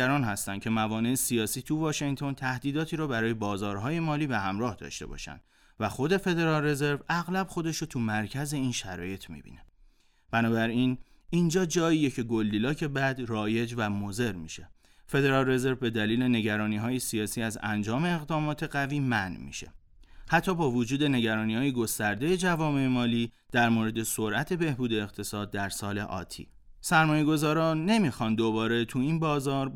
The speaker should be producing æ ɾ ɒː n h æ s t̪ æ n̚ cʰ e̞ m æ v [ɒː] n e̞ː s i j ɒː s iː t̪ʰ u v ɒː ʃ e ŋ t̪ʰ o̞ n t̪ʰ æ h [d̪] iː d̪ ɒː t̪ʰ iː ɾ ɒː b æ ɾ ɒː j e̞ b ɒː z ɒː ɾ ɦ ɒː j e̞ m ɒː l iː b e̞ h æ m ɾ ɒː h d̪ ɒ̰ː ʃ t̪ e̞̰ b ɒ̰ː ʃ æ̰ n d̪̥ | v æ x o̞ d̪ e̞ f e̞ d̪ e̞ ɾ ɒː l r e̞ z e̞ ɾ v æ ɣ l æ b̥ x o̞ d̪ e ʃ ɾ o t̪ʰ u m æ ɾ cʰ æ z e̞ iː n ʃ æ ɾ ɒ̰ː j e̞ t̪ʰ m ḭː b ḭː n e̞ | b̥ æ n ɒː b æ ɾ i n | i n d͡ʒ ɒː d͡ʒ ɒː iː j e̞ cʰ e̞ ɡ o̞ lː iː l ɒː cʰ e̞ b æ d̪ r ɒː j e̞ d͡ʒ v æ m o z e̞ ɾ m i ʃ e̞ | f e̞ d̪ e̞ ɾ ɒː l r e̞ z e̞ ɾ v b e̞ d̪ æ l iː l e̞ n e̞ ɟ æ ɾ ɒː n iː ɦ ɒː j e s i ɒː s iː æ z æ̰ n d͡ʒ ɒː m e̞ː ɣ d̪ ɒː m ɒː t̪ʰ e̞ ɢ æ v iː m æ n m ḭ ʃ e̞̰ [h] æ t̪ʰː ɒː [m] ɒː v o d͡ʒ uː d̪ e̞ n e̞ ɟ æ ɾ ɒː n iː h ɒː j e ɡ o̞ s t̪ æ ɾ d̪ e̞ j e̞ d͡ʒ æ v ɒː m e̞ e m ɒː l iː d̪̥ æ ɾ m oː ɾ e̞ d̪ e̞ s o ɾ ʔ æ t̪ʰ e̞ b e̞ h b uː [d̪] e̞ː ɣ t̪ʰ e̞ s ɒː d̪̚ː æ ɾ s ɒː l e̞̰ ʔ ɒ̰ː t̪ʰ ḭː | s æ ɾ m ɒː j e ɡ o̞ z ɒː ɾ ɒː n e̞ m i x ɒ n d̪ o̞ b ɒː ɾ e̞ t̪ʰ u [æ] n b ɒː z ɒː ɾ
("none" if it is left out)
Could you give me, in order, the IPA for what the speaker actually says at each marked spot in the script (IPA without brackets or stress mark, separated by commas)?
ɒː, d̪, h, b, d̪, i